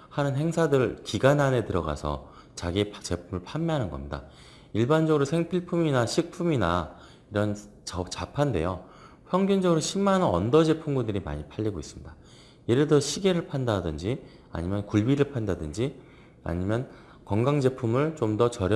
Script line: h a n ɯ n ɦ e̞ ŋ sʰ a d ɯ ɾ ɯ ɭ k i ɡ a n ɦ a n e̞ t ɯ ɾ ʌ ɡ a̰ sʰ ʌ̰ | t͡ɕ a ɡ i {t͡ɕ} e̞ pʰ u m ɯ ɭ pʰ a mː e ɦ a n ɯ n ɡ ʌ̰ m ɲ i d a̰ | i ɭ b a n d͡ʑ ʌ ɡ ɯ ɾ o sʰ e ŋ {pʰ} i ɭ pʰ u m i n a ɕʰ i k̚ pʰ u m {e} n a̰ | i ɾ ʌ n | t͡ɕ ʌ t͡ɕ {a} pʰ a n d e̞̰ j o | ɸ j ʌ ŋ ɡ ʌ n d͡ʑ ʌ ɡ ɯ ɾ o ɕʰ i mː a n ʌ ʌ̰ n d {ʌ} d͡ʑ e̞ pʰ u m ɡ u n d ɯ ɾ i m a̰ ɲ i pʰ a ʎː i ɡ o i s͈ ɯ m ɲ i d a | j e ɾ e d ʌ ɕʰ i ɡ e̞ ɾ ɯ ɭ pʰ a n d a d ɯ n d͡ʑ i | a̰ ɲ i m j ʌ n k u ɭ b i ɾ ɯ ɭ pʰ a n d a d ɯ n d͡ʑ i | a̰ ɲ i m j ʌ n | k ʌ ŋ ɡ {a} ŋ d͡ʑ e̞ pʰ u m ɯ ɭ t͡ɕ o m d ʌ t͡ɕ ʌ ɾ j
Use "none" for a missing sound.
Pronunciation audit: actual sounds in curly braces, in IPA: t͡ɕ, pʰ, i, a, ʌ, a

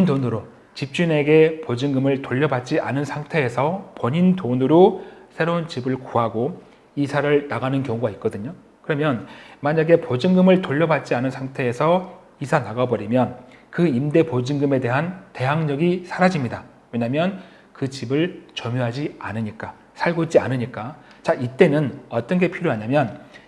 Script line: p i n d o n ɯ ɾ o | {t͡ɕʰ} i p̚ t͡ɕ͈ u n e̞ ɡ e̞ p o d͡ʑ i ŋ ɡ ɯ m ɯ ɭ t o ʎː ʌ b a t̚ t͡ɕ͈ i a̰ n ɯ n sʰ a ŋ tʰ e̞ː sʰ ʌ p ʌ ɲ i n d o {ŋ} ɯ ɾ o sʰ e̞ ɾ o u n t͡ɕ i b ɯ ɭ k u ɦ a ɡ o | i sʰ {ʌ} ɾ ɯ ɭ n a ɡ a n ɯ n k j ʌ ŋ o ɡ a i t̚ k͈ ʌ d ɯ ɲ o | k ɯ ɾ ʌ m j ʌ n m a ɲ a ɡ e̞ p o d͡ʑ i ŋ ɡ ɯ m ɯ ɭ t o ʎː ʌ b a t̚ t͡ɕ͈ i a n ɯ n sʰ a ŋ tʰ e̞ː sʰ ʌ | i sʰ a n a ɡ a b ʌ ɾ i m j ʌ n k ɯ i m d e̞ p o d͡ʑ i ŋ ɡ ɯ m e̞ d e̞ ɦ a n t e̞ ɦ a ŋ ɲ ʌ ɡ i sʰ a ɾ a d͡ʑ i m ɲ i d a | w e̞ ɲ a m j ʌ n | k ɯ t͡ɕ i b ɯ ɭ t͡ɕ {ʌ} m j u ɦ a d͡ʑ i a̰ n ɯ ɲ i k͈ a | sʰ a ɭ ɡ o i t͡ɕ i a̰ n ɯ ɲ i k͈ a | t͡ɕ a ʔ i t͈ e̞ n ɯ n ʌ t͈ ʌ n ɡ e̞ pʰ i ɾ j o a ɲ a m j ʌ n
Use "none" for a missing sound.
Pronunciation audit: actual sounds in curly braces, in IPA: t͡ɕ, n, a, ʌ

